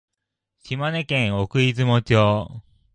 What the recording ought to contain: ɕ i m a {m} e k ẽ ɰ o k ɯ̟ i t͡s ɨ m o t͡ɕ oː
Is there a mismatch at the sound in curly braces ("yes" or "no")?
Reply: yes